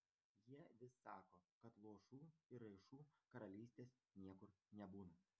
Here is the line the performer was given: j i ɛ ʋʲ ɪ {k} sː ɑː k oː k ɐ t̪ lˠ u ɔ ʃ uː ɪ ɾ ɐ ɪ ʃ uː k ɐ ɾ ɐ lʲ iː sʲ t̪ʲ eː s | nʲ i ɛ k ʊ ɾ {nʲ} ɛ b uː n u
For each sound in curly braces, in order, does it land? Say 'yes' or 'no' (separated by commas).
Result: no, yes